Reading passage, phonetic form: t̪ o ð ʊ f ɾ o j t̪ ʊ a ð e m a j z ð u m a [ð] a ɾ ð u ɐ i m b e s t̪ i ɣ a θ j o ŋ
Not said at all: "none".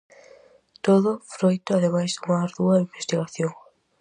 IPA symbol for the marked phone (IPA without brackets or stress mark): none